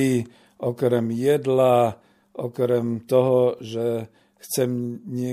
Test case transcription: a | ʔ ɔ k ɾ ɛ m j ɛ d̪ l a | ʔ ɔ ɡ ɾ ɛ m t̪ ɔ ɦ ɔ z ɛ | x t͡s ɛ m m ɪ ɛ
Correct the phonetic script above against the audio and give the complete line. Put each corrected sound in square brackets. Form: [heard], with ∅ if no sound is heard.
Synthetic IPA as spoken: [i] | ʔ ɔ k ɾ ɛ m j ɛ d̪ l a | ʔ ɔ [k] ɾ ɛ m t̪ ɔ ɦ ɔ [ʒ] ɛ | x t͡s ɛ m [ɲ] ɪ ɛ